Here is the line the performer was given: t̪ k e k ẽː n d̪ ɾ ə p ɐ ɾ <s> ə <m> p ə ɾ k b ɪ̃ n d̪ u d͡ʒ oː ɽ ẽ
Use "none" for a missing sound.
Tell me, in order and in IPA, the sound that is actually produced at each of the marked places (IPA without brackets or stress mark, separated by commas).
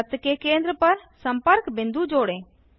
s, m